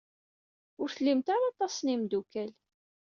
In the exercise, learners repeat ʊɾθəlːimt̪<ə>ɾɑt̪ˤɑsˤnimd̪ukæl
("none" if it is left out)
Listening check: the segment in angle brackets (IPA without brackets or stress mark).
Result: a